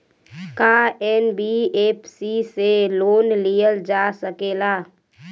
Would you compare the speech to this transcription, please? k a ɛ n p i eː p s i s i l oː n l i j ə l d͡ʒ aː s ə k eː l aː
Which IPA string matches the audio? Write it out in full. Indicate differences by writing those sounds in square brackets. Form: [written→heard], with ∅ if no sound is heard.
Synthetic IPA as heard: k a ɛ n [p→b] i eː p s i s [i→e] l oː n l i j ə l d͡ʒ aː s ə k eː l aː